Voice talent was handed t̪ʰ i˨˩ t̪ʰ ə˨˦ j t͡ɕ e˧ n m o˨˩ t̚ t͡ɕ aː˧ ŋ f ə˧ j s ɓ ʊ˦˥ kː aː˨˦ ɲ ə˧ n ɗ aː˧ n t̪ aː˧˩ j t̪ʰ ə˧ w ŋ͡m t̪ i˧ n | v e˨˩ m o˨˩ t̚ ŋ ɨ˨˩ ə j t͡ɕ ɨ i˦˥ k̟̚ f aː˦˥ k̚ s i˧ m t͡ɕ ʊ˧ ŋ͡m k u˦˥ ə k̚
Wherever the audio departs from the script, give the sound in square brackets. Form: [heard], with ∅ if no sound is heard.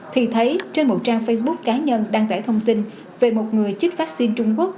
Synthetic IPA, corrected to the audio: t̪ʰ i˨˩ t̪ʰ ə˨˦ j t͡ɕ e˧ n m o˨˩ t̚ t͡ɕ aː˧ ŋ f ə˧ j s ɓ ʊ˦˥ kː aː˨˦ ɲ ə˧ n ɗ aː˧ [ŋ] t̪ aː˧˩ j t̪ʰ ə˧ w ŋ͡m t̪ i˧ n | v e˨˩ m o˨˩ t̚ ŋ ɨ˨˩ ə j t͡ɕ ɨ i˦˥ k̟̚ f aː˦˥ k̚ s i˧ [n] t͡ɕ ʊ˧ ŋ͡m k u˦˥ ə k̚